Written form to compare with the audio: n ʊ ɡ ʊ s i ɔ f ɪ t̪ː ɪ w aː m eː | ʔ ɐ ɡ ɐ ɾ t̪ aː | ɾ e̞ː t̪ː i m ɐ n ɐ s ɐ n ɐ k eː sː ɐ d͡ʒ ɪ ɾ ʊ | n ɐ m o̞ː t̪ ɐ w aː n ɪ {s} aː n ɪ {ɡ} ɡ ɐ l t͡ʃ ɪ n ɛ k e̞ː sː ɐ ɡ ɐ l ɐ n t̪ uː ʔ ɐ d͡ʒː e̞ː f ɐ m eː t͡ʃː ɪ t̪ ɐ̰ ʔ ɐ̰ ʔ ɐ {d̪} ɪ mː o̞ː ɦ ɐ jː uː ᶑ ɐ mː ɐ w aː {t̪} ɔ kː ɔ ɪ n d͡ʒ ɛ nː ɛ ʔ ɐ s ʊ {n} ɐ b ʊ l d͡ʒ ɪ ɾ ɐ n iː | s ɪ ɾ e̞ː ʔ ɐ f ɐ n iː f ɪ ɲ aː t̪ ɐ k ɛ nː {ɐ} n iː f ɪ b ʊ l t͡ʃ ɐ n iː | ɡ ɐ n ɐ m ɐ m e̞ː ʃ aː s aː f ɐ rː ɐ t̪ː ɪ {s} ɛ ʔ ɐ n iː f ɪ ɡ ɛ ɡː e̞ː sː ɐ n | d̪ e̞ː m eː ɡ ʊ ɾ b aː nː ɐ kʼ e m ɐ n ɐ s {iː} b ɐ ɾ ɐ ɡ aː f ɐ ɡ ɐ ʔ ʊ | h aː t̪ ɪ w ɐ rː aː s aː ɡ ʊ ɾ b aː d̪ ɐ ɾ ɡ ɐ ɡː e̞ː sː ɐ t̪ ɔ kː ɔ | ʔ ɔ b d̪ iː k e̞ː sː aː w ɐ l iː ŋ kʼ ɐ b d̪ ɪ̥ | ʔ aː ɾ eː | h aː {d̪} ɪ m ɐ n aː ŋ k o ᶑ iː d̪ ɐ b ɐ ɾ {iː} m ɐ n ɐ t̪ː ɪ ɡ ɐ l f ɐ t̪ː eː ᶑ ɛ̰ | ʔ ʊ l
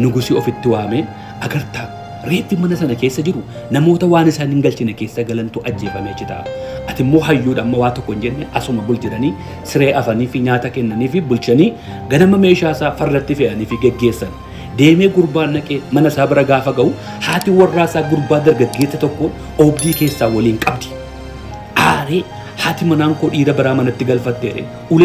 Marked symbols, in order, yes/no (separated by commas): yes, no, no, yes, no, yes, no, no, no, no